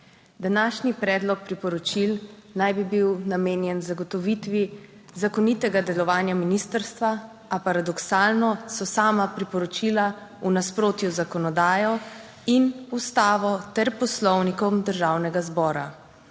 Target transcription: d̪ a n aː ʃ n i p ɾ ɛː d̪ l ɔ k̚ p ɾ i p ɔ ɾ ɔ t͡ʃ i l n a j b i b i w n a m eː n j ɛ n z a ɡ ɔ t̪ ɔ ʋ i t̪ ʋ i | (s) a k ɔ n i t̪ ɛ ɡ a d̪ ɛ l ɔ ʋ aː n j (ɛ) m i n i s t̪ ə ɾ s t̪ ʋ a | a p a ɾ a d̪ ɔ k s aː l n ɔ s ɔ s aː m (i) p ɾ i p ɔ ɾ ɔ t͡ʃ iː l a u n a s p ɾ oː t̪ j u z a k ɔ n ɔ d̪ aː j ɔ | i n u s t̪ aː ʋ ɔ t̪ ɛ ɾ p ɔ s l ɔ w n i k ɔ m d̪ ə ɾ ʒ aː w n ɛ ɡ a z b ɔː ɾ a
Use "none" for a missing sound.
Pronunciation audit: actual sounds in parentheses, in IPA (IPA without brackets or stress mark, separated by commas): z, a, a